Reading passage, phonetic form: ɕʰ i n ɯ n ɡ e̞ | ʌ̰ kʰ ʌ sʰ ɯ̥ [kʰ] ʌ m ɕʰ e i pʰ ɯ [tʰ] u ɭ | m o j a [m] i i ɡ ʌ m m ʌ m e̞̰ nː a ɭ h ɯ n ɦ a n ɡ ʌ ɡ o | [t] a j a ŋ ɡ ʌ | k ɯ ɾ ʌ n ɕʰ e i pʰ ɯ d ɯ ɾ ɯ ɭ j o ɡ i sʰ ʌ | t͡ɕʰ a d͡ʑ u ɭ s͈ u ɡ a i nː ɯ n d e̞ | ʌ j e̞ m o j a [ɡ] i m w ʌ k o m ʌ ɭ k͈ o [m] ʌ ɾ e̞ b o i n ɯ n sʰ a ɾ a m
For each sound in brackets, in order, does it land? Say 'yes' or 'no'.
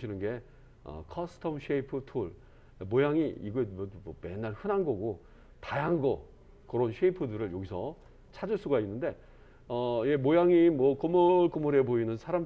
no, yes, no, yes, no, yes

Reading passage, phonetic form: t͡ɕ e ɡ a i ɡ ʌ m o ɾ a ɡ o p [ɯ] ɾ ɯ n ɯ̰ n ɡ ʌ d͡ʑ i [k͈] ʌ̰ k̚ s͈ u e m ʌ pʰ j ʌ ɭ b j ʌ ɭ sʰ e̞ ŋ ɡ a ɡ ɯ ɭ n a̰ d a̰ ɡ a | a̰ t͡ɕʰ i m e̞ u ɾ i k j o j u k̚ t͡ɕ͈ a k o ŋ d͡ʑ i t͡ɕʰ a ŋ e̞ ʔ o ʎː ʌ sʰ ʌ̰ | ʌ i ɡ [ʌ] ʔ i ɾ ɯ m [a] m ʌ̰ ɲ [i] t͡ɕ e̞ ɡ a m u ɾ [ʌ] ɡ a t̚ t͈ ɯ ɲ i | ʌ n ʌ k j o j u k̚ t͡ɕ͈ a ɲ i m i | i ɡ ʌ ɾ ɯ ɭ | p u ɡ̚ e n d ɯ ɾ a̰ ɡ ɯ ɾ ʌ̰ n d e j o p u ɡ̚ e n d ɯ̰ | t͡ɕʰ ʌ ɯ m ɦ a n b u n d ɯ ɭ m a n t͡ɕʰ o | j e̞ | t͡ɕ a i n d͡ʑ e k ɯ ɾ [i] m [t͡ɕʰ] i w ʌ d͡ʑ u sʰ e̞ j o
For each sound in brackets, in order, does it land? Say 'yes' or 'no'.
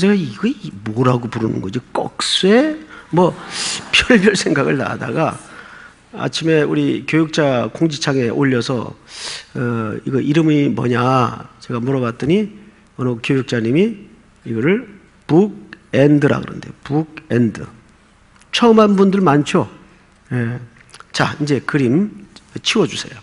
no, yes, yes, no, no, yes, yes, yes

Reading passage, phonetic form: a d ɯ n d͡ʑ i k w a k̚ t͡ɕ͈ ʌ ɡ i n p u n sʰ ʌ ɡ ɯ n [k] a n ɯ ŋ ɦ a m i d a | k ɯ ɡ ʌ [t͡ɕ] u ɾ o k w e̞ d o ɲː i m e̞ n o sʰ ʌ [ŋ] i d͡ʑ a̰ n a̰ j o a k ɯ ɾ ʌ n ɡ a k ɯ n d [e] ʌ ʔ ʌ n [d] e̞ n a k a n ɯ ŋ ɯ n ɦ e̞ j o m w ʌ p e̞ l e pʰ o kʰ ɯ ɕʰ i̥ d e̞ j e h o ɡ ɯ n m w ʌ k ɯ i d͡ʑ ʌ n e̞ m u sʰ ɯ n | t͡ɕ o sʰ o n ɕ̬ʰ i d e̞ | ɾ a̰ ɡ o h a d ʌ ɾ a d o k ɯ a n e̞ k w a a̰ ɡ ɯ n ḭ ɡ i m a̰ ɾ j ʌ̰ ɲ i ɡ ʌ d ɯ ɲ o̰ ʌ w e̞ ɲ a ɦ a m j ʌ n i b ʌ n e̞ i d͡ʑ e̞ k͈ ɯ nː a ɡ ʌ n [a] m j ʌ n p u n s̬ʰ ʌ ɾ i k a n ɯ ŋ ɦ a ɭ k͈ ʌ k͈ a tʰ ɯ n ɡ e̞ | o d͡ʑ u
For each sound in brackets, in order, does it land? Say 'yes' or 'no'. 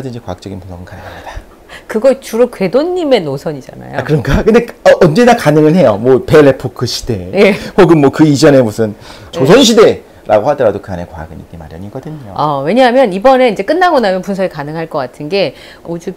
yes, yes, no, yes, no, yes

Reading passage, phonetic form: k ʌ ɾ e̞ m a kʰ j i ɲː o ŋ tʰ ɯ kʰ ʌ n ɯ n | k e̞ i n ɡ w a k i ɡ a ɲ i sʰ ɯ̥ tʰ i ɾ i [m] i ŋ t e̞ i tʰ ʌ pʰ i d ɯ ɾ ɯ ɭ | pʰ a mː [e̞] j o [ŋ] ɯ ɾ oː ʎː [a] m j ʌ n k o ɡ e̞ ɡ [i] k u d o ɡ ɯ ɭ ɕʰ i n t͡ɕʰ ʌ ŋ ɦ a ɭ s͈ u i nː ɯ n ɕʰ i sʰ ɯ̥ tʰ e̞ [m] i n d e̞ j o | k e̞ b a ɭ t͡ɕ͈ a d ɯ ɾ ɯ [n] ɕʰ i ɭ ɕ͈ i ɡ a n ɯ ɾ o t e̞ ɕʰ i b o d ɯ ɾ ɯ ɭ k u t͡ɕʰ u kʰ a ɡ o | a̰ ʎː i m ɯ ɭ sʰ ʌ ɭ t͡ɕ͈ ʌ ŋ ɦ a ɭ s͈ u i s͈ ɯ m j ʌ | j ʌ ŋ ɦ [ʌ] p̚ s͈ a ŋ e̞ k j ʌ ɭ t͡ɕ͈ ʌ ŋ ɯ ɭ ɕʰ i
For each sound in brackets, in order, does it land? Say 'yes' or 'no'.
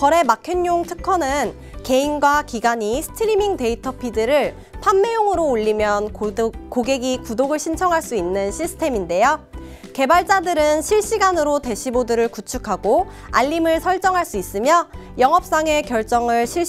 yes, yes, yes, no, yes, yes, yes, yes

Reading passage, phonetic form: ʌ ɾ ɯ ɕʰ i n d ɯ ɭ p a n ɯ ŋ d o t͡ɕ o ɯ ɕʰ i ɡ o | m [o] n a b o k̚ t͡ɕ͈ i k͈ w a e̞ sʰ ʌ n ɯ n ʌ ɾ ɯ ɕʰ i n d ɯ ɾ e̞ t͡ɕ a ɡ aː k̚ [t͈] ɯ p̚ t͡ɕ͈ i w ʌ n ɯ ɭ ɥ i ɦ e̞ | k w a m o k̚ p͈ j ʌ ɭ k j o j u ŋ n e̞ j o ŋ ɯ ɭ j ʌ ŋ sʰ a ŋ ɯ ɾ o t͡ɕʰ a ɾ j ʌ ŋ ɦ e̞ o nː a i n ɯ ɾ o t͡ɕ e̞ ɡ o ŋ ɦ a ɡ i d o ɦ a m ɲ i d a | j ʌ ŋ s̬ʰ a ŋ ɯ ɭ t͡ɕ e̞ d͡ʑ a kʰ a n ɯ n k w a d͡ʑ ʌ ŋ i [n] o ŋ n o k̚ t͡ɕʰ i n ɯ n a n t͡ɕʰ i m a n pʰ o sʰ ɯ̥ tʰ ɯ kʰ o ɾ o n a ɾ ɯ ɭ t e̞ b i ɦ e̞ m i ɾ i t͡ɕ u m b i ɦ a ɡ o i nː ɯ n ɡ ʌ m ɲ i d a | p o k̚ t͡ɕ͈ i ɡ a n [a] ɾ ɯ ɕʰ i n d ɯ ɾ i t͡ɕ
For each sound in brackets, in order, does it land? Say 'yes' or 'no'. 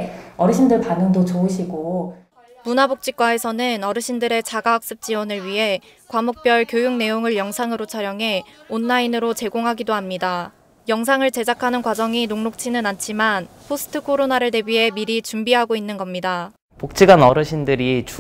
no, no, yes, no

